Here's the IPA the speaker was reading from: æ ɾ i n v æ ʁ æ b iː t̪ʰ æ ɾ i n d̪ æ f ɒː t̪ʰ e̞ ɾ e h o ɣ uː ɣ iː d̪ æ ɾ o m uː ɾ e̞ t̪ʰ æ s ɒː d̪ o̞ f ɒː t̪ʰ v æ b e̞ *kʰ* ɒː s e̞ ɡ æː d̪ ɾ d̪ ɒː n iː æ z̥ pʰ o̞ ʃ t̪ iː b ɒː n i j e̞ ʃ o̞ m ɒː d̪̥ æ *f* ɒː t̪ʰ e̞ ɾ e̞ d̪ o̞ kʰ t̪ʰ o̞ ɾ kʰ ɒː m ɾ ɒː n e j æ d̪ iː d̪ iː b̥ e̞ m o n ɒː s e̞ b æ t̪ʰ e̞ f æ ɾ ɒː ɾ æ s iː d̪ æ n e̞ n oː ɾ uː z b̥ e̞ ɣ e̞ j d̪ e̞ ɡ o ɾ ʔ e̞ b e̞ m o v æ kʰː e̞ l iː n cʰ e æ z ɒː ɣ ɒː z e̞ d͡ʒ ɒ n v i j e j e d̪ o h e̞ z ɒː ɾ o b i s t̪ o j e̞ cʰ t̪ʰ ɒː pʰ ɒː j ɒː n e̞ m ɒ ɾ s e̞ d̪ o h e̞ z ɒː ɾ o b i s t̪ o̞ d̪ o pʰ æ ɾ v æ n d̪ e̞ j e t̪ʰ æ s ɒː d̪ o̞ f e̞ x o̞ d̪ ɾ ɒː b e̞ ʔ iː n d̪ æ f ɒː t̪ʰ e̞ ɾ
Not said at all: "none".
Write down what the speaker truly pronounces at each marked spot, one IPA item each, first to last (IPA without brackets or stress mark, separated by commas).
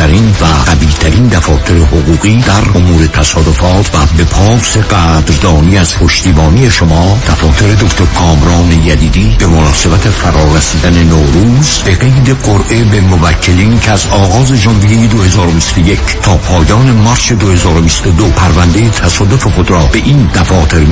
pʰ, f